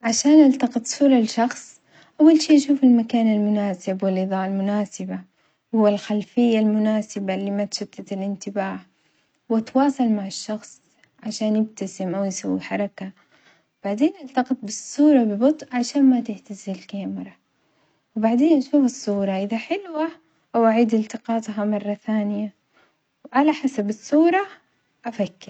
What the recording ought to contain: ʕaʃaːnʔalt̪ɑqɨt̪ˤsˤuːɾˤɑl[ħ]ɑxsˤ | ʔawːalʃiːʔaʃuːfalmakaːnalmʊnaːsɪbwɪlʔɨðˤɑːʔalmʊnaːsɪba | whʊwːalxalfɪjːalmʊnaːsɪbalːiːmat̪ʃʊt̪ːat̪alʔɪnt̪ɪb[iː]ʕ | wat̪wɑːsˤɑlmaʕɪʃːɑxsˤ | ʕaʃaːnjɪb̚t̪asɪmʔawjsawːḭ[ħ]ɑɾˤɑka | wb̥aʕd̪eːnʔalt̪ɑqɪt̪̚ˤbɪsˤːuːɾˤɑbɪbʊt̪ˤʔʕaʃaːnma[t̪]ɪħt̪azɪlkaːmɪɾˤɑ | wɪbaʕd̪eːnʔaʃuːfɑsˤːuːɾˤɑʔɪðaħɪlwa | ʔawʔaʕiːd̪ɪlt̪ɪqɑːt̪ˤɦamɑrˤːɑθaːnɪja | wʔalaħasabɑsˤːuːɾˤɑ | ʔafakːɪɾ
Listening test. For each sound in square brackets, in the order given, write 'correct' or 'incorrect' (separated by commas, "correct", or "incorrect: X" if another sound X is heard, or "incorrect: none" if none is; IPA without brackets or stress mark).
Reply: incorrect: ʃ, incorrect: aː, correct, correct